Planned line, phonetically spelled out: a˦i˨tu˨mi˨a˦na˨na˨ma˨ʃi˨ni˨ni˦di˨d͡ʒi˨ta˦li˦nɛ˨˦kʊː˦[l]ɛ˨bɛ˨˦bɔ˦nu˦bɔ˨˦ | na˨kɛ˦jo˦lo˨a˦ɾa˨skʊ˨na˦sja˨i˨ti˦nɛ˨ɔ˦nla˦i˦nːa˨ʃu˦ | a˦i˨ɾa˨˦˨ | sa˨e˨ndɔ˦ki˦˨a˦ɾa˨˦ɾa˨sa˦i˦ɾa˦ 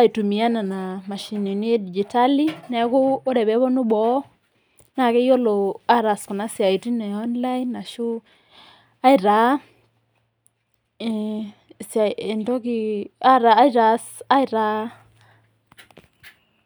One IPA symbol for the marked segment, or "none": ɾ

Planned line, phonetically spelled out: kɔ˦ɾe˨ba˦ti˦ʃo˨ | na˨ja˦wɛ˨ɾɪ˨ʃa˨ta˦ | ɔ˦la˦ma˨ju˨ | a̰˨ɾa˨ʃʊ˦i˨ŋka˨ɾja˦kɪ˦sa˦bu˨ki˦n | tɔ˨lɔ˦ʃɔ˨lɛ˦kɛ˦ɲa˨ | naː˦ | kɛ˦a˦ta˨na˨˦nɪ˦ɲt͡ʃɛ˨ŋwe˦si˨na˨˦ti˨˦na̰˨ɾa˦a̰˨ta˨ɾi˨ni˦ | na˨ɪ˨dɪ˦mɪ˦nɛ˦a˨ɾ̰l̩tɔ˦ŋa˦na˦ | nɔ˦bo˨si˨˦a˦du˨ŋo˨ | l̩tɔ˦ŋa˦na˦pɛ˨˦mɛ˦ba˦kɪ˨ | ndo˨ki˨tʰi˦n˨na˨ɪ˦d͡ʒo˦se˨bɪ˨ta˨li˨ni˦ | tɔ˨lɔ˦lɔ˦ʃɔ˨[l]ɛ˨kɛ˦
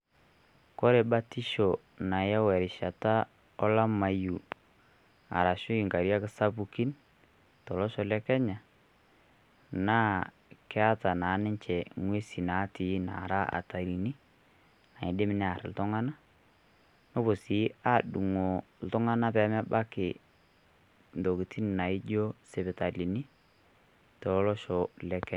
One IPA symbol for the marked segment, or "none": l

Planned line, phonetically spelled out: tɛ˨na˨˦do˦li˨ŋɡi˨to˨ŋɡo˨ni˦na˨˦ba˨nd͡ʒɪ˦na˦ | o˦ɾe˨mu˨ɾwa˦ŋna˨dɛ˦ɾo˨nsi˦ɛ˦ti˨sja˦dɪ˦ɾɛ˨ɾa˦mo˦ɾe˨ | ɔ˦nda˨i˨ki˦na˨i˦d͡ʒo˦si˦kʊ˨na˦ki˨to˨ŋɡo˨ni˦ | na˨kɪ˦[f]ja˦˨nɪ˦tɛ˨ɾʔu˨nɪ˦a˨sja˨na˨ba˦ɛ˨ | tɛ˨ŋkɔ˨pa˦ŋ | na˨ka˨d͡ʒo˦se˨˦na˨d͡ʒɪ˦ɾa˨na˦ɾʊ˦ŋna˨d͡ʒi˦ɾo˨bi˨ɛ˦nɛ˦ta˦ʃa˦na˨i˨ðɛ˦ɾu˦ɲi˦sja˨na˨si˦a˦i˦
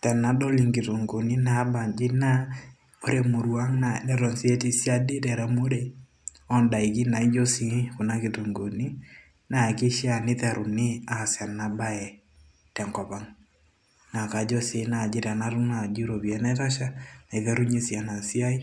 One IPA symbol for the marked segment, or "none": ʃ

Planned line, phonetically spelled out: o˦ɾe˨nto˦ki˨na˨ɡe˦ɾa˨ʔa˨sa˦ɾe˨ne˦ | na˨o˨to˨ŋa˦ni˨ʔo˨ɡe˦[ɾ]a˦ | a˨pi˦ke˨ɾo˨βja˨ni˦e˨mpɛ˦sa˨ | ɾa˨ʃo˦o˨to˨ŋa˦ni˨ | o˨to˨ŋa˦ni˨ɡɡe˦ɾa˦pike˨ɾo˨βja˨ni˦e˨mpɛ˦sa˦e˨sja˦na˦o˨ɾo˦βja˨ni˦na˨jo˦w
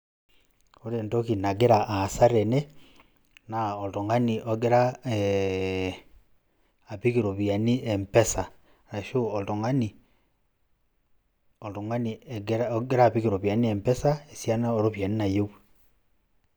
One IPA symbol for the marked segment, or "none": ɾ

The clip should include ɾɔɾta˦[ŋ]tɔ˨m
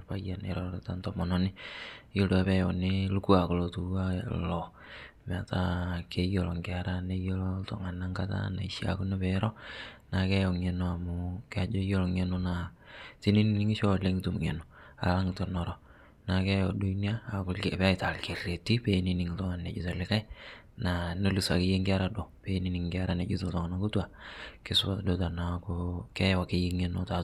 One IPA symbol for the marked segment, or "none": n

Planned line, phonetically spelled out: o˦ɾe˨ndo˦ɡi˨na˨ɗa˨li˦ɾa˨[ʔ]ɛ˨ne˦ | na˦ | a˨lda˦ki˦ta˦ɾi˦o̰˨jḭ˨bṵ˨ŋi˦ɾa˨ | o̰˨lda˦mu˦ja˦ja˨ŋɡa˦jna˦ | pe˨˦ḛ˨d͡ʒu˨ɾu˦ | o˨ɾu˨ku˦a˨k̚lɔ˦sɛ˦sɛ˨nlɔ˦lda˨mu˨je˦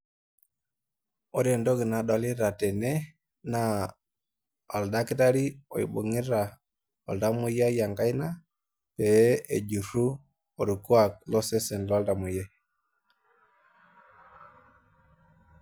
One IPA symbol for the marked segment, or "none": t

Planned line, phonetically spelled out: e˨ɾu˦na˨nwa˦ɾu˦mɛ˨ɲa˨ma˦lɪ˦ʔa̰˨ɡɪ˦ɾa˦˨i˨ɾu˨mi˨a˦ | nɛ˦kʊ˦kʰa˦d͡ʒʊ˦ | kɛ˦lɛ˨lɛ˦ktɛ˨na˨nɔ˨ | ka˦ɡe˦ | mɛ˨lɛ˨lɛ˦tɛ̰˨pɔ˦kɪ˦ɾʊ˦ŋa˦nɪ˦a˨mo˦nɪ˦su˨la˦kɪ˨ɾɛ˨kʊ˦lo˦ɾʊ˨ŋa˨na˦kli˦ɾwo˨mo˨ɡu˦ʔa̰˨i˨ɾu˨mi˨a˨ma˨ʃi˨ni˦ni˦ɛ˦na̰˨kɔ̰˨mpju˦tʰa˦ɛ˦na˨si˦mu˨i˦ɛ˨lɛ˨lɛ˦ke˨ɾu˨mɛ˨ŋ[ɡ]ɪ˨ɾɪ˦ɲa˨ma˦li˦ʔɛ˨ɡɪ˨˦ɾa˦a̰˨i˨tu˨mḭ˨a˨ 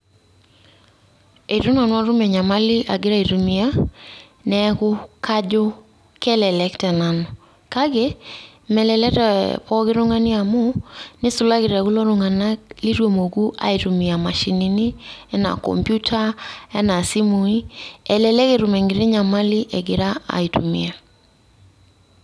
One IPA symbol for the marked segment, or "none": ɡ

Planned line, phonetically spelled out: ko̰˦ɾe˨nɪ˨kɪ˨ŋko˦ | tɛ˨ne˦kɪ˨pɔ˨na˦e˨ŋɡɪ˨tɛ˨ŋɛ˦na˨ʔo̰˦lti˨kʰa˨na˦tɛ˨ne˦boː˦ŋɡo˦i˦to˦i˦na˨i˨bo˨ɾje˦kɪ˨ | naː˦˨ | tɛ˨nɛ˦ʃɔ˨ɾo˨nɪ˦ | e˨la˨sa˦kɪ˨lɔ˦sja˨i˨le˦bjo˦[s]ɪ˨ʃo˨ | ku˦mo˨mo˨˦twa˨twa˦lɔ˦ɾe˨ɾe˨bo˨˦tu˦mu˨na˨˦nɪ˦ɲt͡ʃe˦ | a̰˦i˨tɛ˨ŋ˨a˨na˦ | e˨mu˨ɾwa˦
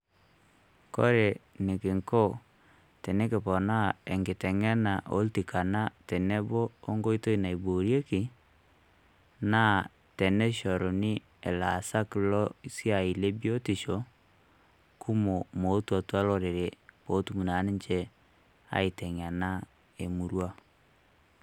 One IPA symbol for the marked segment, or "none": t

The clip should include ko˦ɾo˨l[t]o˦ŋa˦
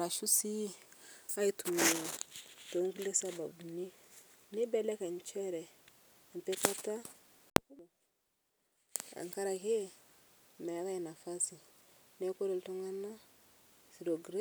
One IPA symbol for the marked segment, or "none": t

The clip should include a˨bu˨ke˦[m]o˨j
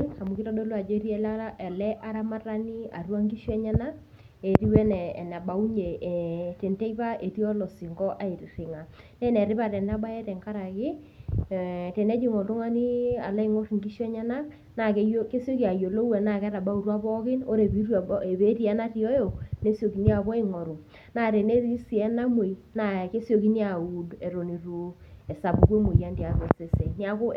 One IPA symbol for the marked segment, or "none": m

